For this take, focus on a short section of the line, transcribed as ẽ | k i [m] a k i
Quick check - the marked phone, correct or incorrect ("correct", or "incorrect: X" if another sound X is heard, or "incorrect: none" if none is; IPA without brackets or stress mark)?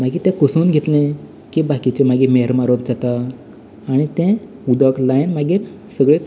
incorrect: b